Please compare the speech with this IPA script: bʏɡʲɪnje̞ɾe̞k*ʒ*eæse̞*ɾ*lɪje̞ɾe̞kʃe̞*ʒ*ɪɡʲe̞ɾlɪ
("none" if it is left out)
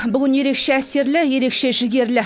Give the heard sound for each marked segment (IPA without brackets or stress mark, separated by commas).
ʃ, ɾ, ʒ